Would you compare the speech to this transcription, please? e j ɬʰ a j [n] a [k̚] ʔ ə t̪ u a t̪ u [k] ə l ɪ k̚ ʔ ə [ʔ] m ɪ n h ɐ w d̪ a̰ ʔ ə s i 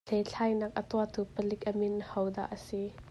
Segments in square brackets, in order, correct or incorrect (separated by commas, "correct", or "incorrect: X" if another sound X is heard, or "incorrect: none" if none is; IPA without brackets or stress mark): correct, correct, incorrect: p, incorrect: none